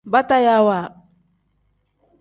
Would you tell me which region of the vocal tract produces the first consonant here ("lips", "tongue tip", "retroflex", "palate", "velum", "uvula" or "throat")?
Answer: lips